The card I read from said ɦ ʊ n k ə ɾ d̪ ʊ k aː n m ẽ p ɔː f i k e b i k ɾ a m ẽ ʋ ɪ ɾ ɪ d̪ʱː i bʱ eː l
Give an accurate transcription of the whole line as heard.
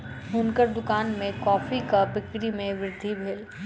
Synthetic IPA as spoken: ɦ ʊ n k ə ɾ d̪ ʊ k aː n m ẽ k ɔː f i k a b ɪ k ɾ i m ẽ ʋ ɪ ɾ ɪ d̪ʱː i bʱ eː l